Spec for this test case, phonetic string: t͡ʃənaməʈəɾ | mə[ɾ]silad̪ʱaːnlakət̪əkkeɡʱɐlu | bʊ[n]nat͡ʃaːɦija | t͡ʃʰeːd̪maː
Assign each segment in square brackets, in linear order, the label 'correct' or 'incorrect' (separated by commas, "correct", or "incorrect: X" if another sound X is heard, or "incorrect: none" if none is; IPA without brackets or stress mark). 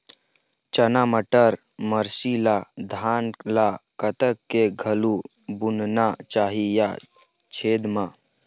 correct, correct